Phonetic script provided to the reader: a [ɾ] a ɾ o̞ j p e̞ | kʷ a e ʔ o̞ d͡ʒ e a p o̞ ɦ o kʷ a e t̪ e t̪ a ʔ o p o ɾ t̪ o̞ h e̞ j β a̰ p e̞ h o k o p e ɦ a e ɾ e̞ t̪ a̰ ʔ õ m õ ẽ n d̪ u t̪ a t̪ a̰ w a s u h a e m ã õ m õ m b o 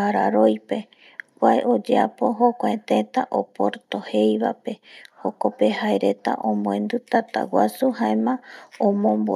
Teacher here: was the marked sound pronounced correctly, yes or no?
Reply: yes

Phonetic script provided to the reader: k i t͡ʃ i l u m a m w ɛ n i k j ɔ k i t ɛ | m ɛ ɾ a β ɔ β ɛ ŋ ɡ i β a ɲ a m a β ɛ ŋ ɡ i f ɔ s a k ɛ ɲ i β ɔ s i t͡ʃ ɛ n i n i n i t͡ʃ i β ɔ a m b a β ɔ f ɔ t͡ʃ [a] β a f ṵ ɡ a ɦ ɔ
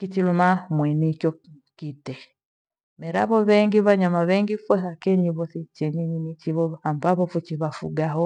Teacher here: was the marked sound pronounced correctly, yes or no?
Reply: no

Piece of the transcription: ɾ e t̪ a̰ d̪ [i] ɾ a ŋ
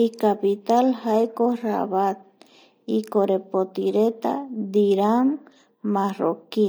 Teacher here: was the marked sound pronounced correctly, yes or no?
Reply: yes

